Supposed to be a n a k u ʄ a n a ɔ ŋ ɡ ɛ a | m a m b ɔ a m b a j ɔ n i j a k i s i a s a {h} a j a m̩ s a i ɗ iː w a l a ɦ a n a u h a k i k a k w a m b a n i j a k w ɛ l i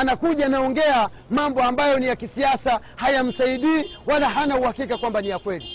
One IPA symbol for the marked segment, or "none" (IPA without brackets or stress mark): h